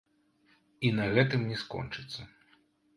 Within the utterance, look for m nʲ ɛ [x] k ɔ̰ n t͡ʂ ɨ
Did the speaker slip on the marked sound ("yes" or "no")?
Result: yes